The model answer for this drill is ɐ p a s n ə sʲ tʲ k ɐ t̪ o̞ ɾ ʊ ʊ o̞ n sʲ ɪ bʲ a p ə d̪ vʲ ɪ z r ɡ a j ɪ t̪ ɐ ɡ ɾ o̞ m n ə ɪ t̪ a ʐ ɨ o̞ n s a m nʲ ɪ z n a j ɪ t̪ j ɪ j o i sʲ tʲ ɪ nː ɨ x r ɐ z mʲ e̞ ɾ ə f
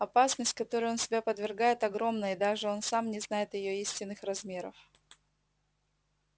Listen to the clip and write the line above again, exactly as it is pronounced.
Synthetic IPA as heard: ɐ p a s n ə sʲ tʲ k ɐ t̪ o̞ ɾ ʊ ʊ o̞ n sʲ ɪ bʲ a p ə d̪ vʲ ɪ r ɡ a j ɪ t̪ ɐ ɡ ɾ o̞ m n ə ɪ d̪ a ʐ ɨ o̞ n s a m nʲ ɪ z n a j ɪ t̪ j ɪ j o i sʲ tʲ ɪ nː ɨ x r ɐ z mʲ e̞ ɾ ə f